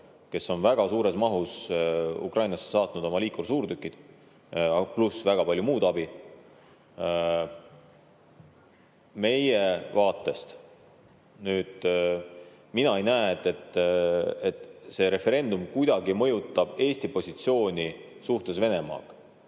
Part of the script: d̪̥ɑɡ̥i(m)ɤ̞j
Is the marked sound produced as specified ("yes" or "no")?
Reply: yes